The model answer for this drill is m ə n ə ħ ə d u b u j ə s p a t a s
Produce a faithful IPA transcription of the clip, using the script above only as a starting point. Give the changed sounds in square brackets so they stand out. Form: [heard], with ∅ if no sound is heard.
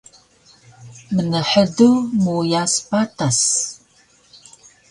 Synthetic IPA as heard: m ə n ə ħ ə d u [m] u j [a] s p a t a s